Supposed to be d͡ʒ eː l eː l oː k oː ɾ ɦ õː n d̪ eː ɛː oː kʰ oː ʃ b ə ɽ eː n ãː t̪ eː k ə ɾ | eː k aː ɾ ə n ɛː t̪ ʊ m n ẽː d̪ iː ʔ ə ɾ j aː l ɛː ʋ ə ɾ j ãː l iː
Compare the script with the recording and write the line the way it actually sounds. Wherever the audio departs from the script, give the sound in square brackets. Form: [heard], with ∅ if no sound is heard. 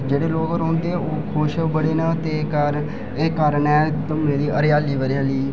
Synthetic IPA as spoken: d͡ʒ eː [ɽ] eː l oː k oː ɾ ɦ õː n d̪ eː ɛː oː kʰ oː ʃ b ə ɽ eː n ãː t̪ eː k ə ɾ | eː k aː ɾ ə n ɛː t̪ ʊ m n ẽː d̪ iː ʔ ə ɾ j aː l [iː] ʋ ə ɾ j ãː l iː